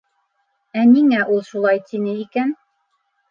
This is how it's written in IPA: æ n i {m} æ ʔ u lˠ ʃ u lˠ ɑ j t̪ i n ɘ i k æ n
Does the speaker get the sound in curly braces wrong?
yes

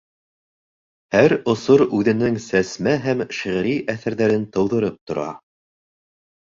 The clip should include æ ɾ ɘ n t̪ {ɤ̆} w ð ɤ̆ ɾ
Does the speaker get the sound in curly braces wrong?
no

